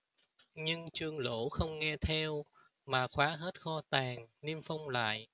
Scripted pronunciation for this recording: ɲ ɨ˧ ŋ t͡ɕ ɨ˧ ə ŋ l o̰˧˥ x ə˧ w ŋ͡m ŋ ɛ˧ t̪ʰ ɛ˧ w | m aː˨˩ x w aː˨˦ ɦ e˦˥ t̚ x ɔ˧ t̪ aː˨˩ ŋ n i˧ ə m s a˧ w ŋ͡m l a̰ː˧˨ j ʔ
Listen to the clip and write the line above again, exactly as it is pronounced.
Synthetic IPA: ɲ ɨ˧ ŋ t͡ɕ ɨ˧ ə ŋ l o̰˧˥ x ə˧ w ŋ͡m ŋ ɛ˧ t̪ʰ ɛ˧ w | m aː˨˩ x w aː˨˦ ɦ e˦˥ t̚ x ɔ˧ t̪ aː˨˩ ŋ n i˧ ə m f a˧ w ŋ͡m l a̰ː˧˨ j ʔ